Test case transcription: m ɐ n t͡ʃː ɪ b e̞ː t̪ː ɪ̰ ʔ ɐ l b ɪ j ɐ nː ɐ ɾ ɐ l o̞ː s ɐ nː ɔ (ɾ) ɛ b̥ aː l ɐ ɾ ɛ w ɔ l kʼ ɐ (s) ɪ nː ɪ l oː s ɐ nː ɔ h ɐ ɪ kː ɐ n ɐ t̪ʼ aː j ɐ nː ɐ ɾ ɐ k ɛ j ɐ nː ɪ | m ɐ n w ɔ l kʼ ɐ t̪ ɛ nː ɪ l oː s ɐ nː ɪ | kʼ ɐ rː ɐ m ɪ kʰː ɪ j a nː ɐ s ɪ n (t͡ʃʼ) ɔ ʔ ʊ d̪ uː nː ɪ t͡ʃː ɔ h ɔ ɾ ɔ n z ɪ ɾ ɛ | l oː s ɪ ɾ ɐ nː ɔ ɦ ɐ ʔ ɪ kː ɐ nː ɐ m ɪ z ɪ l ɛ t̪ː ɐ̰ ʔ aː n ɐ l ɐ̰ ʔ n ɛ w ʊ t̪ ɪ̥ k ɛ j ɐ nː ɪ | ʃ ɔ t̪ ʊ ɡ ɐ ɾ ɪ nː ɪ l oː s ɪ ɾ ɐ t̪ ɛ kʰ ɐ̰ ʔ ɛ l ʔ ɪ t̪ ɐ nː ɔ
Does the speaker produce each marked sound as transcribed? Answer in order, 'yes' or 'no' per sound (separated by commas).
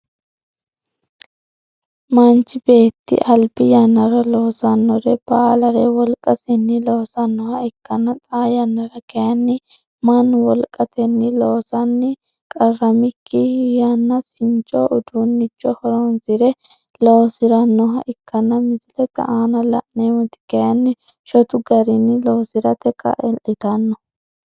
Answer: yes, yes, yes